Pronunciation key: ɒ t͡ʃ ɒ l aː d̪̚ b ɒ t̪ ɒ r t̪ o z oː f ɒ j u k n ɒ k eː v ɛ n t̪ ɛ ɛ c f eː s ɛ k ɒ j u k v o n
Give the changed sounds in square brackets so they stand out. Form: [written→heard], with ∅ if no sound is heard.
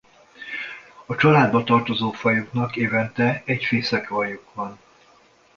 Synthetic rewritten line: ɒ t͡ʃ ɒ l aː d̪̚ b ɒ t̪ ɒ r t̪ o z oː f ɒ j u k n ɒ k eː v ɛ n t̪ ɛ ɛ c f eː s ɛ k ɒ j u k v [o→ɒ] n